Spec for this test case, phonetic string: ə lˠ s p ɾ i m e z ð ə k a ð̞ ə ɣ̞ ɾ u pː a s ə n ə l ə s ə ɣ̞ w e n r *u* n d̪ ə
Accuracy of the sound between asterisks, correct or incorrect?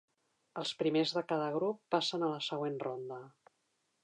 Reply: incorrect